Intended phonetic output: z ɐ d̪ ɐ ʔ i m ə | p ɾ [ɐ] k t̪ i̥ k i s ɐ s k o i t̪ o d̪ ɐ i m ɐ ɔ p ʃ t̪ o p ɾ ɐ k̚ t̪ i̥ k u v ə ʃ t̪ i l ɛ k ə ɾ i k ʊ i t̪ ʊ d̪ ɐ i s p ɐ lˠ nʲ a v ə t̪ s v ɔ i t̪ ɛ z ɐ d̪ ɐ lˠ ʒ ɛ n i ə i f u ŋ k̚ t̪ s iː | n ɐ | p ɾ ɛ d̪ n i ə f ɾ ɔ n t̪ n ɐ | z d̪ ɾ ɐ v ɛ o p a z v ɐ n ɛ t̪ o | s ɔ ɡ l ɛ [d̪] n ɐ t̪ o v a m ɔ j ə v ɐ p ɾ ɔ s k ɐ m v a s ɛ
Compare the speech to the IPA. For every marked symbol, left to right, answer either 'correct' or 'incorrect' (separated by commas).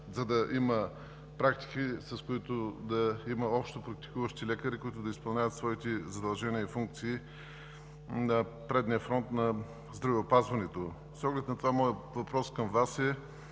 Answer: incorrect, incorrect